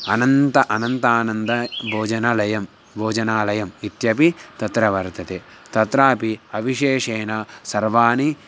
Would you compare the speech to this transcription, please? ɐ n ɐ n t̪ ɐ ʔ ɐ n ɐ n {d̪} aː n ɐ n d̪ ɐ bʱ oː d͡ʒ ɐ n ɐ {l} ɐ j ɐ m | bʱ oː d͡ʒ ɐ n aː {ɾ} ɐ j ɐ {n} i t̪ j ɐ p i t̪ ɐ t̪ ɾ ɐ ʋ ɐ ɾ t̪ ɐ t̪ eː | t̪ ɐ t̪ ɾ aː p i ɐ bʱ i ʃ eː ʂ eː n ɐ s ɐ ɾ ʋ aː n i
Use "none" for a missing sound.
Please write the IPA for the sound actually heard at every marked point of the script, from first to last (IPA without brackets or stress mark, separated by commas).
t̪, l, l, m